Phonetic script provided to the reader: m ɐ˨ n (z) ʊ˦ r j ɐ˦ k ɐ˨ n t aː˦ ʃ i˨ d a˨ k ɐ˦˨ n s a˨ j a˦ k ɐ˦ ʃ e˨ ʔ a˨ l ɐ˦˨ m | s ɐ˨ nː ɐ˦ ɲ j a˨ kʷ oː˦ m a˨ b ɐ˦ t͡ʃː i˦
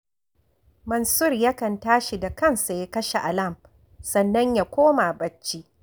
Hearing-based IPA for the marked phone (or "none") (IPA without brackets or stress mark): s